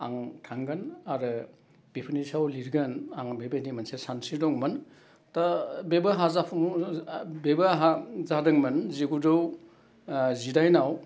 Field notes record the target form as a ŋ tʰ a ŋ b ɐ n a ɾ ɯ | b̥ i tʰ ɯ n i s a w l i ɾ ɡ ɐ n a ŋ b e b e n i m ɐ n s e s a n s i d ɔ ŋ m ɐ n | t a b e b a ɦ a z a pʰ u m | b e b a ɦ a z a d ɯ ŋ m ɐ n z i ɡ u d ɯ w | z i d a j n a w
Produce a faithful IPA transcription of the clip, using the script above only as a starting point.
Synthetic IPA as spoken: a ŋ tʰ a ŋ ɡ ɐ n a ɾ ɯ | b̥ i pʰ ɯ n i s a w l i ɾ ɡ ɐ n a ŋ b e b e n i m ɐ n s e s a n s i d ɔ ŋ m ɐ n | t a b e b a ɦ a z a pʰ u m | b e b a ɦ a z a d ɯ ŋ m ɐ n z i ɡ u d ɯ w | z i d a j n a w